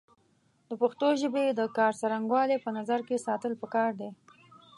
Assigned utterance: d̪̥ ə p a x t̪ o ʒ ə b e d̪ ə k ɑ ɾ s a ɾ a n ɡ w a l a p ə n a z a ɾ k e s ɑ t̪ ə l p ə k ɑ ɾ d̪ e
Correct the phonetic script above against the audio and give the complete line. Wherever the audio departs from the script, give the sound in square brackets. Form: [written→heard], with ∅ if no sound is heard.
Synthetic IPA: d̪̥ ə p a x t̪ o ʒ ə b e d̪ ə k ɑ ɾ s a ɾ a [n→ŋ] ɡ w [a→ɑ] l [a→e] p ə n a z a ɾ k e s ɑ t̪ ə l p ə k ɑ ɾ d̪ e

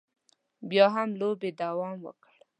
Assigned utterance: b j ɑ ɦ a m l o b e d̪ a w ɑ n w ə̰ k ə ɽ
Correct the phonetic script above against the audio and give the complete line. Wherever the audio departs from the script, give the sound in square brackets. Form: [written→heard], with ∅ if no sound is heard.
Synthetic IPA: b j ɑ ɦ a m l o b e d̪ a w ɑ [n→m] w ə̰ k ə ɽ

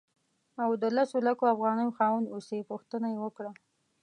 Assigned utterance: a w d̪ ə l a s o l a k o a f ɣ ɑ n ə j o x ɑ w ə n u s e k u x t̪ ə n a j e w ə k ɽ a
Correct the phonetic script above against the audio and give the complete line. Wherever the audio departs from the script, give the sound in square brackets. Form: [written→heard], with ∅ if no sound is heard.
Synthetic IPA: a w d̪ ə l a s o l a k o a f ɣ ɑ n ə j o x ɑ w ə n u s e [k→p] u x t̪ ə n a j e w ə k ɽ a

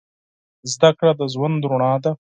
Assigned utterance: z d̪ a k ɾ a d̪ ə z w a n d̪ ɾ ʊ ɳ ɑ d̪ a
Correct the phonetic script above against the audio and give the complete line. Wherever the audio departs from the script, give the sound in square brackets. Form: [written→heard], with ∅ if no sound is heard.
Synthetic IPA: z d̪ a k [ɾ→ɽ] a d̪ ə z w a n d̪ ɾ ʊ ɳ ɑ d̪ a

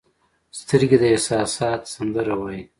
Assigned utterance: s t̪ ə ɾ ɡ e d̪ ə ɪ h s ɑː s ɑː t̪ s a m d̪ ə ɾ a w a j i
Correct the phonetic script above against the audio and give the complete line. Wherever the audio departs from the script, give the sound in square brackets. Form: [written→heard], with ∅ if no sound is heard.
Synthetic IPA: s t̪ ə ɾ ɡ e d̪ ə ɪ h s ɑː s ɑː t̪ s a [m→n] d̪ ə ɾ a w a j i

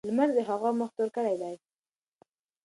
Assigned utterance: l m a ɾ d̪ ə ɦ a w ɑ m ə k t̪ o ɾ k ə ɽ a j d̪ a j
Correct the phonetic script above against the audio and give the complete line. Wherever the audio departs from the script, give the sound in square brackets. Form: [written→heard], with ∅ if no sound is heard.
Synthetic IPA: l m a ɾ d̪ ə ɦ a [w→ɣ] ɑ m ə [k→x] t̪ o ɾ k ə ɽ a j d̪ a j

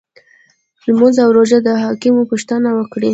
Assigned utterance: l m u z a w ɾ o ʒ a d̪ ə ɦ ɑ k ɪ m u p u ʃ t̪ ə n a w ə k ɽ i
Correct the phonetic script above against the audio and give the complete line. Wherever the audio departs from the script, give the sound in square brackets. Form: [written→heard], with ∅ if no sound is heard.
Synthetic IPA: l m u z a w ɾ o ʒ a d̪ ə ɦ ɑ k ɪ m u p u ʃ t̪ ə n a w ə k ɽ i

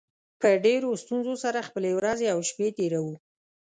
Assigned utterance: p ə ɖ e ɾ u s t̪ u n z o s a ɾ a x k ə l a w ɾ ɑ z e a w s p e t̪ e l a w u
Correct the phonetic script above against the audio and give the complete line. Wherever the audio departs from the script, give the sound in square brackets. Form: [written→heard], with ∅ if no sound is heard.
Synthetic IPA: p ə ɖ e ɾ [u→o] s t̪ u n z o s a ɾ a x [k→p] ə l [a→e] w ɾ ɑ z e a w [s→ʃ] p e t̪ e [l→ɾ] a w u

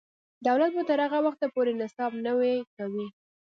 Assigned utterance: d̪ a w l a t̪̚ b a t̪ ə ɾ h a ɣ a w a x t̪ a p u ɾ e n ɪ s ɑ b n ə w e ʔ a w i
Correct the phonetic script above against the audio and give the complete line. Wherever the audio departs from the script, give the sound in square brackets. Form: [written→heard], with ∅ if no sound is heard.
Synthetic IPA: d̪ a w l a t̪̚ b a t̪ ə ɾ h a ɣ a w a x t̪ a p [u→o] ɾ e n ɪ s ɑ b n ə w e [ʔ→k] a w i

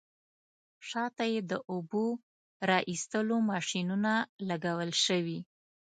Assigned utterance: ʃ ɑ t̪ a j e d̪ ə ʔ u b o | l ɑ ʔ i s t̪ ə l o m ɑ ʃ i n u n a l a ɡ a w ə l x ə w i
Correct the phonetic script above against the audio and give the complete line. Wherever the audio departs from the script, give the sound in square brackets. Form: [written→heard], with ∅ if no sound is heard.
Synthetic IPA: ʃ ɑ t̪ a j e d̪ ə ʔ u b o | [l→ɾ] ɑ ʔ i s t̪ ə l o m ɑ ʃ i n u n a l a ɡ a w ə l [x→ʃ] ə w i

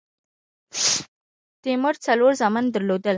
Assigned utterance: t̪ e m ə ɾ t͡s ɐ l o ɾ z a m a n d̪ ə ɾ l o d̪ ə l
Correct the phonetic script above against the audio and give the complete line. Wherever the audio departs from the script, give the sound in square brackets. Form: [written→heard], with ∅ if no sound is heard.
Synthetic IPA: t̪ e m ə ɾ t͡s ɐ l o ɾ z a m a n d̪ ə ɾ l o d̪ ə l

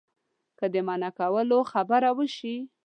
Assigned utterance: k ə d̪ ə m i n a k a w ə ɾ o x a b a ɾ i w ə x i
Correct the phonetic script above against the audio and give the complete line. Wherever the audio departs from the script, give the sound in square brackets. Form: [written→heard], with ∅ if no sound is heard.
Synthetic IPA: k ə d̪ ə m [i→a] n a k a w ə [ɾ→l] o x a b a ɾ [i→a] w ə [x→ʃ] i

